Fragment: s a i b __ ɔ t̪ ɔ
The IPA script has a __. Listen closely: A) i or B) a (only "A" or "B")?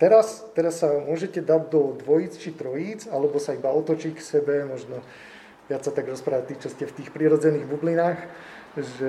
B